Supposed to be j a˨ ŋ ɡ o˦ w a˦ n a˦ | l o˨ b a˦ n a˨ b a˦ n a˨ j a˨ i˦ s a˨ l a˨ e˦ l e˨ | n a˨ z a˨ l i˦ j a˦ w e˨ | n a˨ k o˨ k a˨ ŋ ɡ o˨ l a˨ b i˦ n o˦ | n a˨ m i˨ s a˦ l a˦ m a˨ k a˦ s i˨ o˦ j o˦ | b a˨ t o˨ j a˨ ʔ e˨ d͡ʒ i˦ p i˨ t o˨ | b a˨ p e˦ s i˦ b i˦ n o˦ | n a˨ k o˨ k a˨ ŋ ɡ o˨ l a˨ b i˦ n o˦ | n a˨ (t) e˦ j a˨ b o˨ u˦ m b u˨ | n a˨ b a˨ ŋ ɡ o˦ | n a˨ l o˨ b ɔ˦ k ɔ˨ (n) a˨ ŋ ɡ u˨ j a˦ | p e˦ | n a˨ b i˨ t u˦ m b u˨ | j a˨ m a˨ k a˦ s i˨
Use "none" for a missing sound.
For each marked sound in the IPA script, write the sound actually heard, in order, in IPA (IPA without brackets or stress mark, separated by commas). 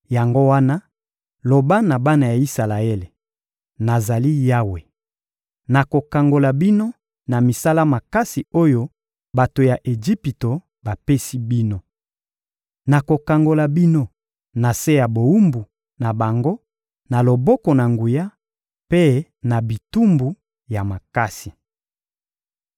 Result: s, n